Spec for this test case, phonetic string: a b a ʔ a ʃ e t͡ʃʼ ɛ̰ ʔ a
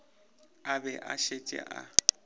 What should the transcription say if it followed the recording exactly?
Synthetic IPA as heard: a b ɛ ʔ a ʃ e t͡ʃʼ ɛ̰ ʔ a